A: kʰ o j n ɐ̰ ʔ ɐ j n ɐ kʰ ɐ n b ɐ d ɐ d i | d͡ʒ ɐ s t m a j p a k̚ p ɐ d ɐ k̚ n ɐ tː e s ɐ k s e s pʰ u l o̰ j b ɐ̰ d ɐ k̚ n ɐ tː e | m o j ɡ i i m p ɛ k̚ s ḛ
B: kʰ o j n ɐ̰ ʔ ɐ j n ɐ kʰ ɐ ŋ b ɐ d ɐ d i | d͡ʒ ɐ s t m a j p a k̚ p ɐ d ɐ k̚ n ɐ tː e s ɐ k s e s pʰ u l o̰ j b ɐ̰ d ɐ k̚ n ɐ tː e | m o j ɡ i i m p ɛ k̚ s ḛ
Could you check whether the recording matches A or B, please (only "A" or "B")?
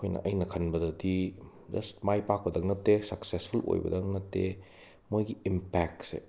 A